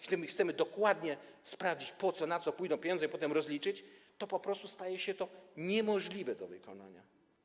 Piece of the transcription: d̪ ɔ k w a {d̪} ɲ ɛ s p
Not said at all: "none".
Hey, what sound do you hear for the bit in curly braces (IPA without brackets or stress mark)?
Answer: d̪